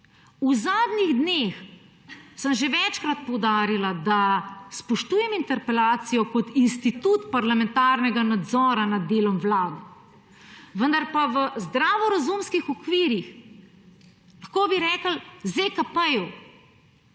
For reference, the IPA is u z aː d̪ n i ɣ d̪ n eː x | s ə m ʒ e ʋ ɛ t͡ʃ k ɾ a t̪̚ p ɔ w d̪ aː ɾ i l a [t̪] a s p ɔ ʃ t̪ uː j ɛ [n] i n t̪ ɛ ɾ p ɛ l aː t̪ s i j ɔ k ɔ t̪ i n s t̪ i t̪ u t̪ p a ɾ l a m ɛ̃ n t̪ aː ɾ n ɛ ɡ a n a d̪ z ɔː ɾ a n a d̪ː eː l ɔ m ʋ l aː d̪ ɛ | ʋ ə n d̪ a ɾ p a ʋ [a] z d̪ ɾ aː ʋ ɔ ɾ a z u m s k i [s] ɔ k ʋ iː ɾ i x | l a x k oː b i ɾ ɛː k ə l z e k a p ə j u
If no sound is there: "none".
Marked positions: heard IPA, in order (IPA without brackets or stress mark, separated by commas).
d̪, m, ə, x